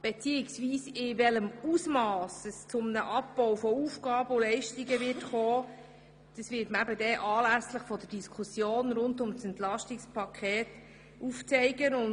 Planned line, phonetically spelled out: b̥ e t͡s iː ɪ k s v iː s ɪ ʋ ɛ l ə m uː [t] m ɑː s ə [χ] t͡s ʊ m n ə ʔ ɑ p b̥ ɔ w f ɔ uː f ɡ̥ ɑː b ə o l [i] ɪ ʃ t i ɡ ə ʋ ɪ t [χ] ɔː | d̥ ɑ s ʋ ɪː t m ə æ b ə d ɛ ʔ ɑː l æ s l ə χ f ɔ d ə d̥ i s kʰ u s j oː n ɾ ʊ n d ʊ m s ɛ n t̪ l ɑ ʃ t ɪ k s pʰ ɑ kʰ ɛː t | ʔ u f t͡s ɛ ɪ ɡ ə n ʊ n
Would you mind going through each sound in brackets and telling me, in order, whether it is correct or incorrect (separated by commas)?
incorrect, incorrect, incorrect, correct